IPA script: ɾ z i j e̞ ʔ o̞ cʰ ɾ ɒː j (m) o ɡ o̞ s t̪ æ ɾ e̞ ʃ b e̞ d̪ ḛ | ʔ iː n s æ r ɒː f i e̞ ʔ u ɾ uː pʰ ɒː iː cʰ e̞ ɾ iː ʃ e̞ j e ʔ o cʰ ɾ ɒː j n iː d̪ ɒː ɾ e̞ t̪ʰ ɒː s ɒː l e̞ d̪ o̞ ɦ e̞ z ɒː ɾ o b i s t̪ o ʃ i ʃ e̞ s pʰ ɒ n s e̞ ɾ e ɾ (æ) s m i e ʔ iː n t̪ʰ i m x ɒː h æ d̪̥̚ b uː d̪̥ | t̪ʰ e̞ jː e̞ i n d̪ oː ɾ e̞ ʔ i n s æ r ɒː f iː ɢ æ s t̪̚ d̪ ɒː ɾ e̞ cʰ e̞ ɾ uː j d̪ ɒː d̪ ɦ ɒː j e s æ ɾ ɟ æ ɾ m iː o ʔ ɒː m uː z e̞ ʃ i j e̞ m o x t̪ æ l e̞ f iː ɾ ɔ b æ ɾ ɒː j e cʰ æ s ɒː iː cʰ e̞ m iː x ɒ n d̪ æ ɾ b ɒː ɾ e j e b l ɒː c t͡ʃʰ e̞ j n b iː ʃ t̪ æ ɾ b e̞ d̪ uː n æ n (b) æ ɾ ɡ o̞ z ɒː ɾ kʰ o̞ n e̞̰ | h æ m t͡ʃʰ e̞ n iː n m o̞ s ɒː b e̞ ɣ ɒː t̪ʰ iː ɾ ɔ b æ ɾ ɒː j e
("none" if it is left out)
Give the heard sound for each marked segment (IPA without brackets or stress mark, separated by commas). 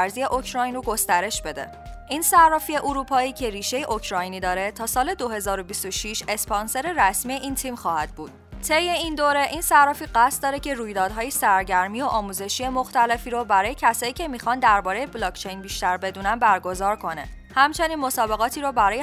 n, æ, b